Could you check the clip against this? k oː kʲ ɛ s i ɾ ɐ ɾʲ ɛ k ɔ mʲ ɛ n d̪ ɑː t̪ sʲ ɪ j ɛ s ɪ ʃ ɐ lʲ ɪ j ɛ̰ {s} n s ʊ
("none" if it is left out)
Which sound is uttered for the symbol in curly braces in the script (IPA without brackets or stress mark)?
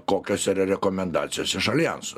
none